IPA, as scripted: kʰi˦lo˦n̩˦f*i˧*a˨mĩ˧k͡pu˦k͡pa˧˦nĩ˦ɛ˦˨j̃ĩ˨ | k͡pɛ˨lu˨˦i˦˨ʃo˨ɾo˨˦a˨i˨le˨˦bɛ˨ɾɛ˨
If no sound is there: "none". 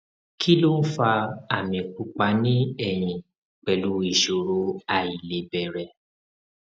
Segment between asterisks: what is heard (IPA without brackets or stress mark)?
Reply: a˧